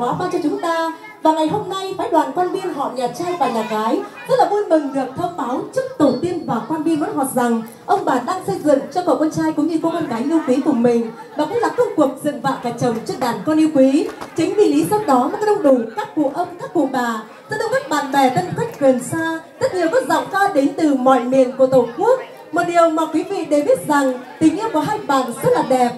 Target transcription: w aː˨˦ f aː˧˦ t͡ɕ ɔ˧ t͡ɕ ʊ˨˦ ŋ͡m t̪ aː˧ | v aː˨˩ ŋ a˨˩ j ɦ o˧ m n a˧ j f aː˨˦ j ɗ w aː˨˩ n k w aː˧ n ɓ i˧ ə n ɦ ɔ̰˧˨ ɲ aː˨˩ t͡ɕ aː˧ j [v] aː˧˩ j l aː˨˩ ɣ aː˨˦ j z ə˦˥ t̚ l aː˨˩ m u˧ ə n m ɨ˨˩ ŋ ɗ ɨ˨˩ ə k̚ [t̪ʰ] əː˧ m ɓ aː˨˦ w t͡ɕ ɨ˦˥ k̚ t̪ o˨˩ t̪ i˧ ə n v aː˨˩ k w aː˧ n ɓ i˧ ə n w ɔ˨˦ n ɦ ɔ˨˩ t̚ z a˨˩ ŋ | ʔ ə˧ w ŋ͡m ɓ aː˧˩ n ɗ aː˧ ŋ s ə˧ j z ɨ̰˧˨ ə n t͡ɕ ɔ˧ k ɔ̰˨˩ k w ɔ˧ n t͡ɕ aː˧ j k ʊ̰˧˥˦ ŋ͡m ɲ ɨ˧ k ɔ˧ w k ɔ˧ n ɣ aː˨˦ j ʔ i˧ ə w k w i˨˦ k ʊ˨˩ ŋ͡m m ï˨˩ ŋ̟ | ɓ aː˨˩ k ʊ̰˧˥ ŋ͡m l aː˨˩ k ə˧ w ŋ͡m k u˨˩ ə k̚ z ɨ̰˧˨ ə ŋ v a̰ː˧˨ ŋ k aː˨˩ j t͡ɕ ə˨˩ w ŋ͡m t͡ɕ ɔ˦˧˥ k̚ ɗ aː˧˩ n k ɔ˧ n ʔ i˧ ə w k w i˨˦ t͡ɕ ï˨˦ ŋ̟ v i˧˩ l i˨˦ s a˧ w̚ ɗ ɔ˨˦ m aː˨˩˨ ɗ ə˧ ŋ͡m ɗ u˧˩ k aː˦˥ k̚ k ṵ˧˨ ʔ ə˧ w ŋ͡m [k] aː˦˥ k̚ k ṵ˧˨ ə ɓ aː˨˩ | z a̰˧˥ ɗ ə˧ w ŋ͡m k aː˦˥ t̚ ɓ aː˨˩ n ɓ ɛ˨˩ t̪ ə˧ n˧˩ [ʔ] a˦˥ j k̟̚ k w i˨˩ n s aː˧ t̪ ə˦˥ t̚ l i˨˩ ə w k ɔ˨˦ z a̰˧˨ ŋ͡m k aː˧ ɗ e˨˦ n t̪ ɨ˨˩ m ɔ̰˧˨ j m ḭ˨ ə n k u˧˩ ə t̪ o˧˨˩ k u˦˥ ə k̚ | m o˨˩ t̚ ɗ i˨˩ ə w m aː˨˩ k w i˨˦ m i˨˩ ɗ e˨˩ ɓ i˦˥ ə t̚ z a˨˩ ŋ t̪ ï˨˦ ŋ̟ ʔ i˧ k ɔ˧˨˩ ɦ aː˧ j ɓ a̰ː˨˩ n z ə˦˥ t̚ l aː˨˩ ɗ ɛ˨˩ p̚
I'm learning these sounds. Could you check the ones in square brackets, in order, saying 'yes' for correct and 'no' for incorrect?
no, yes, yes, no

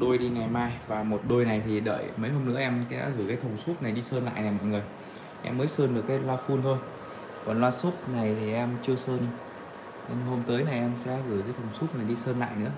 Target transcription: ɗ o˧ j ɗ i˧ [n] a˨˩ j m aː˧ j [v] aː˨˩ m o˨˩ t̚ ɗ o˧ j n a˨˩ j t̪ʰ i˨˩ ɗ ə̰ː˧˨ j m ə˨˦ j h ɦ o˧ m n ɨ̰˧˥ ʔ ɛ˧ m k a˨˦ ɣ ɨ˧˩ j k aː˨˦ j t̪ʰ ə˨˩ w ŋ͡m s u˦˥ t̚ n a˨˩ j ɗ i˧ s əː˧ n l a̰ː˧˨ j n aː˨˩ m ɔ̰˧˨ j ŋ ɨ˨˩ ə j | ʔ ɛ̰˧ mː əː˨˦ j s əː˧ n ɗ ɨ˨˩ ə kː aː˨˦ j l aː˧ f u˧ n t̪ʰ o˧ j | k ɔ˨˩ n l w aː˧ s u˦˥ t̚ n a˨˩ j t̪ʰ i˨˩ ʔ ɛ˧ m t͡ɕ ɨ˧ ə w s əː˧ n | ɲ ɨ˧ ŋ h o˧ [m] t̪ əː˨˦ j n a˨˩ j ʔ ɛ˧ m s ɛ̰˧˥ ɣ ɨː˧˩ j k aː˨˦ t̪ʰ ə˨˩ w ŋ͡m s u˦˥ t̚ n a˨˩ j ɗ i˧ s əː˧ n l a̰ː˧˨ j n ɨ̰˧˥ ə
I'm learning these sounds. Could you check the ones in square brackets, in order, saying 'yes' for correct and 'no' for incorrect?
no, yes, yes

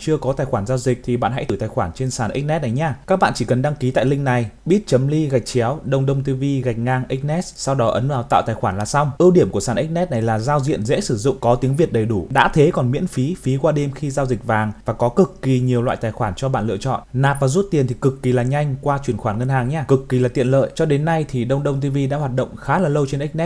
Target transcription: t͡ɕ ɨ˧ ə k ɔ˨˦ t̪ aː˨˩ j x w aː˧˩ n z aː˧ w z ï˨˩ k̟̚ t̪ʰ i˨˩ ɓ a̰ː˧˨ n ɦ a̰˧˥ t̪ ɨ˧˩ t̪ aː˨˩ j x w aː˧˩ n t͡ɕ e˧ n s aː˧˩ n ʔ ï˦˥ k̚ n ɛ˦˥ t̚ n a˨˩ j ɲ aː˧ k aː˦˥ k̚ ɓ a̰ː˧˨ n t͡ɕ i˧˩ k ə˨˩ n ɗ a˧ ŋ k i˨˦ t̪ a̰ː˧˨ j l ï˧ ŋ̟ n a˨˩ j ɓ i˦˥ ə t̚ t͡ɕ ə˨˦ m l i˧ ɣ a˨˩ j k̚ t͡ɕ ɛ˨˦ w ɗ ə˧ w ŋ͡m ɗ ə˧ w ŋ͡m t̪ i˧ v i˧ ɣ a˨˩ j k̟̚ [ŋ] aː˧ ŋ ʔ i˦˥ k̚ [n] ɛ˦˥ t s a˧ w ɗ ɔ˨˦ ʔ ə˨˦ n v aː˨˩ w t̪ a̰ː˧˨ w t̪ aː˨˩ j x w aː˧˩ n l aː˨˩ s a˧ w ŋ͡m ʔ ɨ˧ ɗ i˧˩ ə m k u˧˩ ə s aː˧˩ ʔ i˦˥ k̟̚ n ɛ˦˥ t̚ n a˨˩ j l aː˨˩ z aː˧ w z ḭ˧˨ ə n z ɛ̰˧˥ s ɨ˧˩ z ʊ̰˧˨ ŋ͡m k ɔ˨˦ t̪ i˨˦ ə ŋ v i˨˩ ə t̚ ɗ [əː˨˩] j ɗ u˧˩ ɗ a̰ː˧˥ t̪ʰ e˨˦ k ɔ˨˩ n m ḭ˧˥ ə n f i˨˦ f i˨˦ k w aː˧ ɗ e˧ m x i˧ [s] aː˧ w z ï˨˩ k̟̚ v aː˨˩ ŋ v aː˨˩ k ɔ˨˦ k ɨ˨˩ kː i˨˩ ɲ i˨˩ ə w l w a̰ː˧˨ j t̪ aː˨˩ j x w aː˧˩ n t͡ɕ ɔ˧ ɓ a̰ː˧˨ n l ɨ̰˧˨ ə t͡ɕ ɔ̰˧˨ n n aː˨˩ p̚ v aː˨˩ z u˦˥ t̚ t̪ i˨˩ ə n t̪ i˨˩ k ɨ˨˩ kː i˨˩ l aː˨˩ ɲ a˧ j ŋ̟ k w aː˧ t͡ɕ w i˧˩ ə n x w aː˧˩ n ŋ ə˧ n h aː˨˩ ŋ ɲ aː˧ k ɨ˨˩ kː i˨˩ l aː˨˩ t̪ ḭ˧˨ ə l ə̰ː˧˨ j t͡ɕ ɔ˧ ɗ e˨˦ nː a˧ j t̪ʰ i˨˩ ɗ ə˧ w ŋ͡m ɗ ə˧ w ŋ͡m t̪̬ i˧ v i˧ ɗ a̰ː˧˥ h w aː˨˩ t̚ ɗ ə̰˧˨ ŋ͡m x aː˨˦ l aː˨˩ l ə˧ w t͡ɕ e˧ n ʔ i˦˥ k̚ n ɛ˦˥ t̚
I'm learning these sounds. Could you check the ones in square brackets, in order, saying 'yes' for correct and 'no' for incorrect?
yes, yes, no, no

